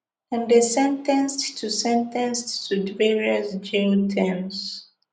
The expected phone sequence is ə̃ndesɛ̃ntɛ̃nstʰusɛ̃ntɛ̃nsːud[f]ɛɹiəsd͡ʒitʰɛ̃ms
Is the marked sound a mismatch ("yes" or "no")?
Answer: yes